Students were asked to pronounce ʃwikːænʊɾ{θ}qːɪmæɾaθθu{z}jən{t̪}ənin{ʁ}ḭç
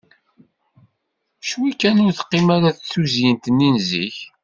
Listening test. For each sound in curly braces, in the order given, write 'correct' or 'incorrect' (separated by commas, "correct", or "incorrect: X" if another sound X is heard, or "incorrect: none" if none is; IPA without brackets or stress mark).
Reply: correct, correct, correct, incorrect: z